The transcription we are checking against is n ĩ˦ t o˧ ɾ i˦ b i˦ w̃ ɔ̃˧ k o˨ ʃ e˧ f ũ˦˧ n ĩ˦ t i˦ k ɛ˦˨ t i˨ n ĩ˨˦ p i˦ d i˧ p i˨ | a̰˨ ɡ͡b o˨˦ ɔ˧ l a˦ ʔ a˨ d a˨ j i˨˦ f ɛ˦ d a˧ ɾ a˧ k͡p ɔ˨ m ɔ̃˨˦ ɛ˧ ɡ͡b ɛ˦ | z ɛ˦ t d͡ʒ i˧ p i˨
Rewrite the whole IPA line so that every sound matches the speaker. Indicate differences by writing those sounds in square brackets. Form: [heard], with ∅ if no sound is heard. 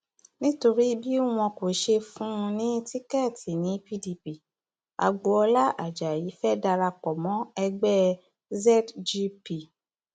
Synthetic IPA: n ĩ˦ t o˧ ɾ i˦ b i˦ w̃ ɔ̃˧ k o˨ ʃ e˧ f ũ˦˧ n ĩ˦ t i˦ k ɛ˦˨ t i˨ n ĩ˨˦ p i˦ d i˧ p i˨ | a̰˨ ɡ͡b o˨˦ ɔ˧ l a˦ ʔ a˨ [d͡ʒ] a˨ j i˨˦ f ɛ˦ d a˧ ɾ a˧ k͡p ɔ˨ m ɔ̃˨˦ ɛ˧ ɡ͡b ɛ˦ | z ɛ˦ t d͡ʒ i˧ p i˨